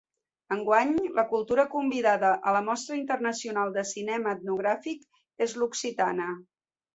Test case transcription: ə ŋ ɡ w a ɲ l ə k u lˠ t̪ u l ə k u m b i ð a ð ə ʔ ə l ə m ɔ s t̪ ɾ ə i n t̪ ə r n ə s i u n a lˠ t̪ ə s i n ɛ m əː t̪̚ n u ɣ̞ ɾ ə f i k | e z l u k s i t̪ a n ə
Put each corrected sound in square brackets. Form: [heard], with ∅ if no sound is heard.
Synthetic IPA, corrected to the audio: ə ŋ ɡ w a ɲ l ə k u lˠ t̪ u [ɾ] ə k u m b i ð a ð ə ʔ ə l ə m ɔ s t̪ ɾ ə i n t̪ ə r n ə s i u n a lˠ [d̪] ə s i n ɛ m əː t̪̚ n u ɣ̞ ɾ [a] f i k | e z l u k s i t̪ a n ə